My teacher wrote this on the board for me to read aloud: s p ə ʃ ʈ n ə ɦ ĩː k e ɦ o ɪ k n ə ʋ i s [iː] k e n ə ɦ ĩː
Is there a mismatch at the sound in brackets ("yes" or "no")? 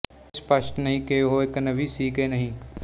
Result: no